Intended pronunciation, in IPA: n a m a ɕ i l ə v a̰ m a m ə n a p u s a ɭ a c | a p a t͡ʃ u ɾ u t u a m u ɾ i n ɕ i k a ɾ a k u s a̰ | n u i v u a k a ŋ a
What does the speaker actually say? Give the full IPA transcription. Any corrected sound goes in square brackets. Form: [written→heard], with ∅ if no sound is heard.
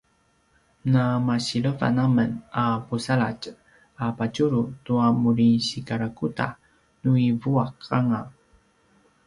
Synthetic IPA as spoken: n a m a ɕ i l ə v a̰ [m→n] a m ə n a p u s a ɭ a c | a p a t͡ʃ u ɾ u t u a m u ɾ i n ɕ i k a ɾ a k u [s→t] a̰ | n u i v u a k a ŋ a